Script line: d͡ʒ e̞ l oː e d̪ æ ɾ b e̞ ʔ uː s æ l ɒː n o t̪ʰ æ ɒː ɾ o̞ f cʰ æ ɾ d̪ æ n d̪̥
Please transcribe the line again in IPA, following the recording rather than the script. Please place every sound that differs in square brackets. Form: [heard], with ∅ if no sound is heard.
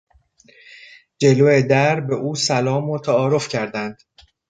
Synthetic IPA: d͡ʒ e̞ l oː e d̪ æ ɾ b e̞ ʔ uː s æ l ɒː [m] o t̪ʰ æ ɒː ɾ o̞ f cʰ æ ɾ d̪ æ n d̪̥